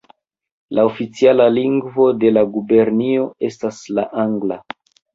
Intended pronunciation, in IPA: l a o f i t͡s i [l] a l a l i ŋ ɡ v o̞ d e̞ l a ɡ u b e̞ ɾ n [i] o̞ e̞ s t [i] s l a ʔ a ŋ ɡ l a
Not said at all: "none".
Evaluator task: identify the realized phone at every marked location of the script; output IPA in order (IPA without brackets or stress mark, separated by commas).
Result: none, i, a